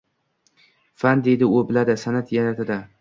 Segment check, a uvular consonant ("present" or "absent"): absent